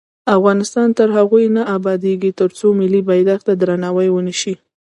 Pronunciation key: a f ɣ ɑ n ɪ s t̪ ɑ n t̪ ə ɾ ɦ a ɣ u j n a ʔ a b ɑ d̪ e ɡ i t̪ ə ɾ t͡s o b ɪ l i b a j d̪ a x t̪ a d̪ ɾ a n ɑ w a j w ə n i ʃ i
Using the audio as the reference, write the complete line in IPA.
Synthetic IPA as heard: a f ɣ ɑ n ɪ s t̪ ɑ n t̪ ə ɾ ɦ a ɣ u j n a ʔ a b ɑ d̪ e ɡ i t̪ ə ɾ t͡s o m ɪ l i b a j d̪ a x t̪ a d̪ ɾ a n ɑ w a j w ə n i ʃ i